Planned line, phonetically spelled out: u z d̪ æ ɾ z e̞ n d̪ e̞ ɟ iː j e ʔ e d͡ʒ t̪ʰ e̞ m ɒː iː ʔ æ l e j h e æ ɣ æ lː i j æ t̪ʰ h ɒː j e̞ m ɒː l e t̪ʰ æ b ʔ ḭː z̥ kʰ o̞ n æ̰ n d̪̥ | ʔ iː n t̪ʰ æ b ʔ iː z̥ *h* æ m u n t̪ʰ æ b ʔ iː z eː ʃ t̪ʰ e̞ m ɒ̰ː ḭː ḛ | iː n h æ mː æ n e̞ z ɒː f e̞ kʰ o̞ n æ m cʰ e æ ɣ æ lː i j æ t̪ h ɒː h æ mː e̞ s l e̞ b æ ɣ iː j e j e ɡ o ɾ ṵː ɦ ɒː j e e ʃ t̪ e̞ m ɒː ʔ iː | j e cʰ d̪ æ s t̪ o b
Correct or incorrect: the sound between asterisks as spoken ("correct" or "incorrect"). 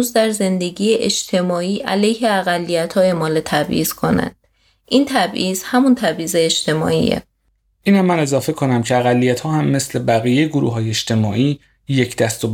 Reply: correct